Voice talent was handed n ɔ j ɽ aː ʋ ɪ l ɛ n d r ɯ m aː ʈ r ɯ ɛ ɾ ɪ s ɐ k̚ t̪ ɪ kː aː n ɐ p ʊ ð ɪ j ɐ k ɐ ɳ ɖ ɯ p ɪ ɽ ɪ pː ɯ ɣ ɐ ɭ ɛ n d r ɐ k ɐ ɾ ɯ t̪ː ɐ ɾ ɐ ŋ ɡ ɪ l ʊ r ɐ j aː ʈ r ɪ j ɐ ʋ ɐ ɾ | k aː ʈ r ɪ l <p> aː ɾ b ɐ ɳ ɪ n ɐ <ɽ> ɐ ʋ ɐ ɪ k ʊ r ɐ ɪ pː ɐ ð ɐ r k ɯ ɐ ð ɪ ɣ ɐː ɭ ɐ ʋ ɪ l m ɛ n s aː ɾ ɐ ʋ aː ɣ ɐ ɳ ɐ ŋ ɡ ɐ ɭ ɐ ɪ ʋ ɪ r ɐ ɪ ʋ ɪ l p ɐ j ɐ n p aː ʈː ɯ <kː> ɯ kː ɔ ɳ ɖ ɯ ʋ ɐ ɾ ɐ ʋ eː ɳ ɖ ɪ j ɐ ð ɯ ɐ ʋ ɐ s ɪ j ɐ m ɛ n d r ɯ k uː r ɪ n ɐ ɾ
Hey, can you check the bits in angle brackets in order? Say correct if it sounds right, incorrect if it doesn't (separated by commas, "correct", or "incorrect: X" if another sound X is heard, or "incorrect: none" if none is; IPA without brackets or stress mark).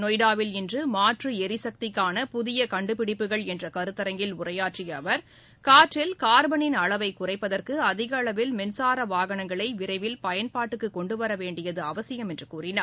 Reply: incorrect: k, incorrect: ɭ, correct